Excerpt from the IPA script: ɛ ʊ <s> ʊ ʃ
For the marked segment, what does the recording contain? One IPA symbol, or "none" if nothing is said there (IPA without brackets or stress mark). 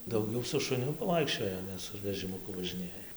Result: s